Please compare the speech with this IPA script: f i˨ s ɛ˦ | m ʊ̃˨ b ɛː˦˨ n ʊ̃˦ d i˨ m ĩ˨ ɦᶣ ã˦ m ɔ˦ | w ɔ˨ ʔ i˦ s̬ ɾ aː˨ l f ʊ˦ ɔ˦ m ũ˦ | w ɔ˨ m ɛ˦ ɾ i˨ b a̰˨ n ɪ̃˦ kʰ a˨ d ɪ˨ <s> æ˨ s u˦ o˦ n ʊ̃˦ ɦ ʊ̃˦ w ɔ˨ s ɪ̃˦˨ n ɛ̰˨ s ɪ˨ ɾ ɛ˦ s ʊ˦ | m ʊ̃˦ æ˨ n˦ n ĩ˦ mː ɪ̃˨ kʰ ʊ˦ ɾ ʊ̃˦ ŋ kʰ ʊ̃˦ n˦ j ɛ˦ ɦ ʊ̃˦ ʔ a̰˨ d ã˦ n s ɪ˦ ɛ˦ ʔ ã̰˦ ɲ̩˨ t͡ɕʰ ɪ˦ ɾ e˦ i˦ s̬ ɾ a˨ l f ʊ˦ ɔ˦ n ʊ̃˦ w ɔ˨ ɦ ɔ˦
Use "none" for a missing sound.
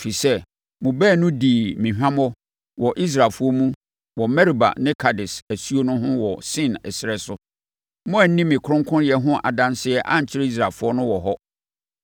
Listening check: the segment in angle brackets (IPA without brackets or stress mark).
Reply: s